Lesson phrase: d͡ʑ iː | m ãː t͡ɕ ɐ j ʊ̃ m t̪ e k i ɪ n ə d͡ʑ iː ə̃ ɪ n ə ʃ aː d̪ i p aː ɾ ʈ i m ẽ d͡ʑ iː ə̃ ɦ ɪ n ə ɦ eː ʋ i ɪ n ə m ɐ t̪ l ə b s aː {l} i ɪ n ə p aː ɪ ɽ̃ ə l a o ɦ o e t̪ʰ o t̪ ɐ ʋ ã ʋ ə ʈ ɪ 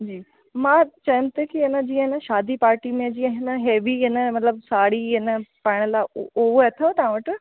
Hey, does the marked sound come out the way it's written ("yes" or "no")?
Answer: no